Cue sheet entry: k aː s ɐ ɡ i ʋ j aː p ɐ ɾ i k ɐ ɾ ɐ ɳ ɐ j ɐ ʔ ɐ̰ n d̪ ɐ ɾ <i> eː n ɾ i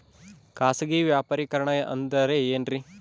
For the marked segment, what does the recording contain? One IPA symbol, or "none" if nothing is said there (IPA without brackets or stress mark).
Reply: e